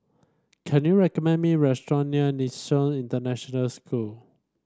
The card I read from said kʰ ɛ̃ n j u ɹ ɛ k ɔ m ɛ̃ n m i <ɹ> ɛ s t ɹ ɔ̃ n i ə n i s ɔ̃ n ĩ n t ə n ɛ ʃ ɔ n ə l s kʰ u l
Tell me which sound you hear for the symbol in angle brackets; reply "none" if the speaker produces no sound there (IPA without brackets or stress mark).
ɹ